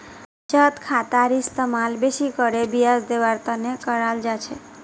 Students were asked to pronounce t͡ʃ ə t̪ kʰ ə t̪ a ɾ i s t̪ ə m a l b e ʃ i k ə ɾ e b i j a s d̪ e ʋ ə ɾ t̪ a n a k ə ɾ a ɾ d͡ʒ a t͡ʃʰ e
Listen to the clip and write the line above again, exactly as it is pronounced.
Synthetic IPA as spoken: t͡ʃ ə t̪ kʰ a t̪ a ɾ i s t̪ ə m a l b e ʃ i k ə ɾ e b i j a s d̪ e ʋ a ɾ t̪ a n e k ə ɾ a l d͡ʒ a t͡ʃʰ e